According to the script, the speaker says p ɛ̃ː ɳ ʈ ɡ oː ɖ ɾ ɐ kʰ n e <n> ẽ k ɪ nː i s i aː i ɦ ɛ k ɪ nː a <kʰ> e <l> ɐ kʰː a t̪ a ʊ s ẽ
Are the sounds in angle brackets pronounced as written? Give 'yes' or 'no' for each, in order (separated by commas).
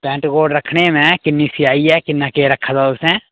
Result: no, no, no